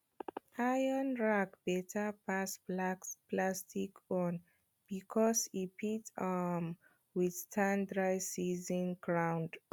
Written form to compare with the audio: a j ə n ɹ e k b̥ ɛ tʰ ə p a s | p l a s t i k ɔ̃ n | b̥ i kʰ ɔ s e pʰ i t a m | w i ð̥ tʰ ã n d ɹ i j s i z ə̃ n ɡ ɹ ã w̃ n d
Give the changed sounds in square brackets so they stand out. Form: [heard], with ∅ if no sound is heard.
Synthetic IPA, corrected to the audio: a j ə n ɹ [a] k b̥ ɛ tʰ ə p a s | p l a s t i k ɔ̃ n | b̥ i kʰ ɔ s [i] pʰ i t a m | w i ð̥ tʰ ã n d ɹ [a] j s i z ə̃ n ɡ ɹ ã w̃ n d